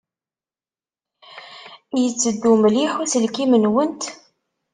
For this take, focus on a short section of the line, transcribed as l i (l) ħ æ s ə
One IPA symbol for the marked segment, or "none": none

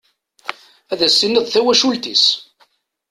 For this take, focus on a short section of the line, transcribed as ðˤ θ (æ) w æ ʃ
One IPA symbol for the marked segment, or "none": æ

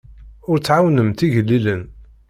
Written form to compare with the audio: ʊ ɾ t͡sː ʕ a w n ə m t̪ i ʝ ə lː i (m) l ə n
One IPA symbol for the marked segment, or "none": none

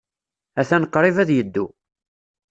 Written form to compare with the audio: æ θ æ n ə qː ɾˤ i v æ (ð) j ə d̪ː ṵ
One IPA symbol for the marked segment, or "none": ð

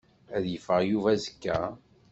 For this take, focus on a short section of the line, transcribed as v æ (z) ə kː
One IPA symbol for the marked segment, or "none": z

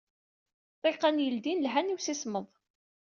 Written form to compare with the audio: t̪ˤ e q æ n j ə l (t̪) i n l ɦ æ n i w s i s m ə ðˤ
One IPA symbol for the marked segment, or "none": d̪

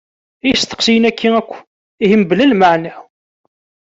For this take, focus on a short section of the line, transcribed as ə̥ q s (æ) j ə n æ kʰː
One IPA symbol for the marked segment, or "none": i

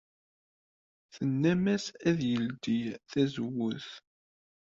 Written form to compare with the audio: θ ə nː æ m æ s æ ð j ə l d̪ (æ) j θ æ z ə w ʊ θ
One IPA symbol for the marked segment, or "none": i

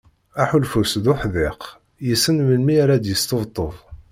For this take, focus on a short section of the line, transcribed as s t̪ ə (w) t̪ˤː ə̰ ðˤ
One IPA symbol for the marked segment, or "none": v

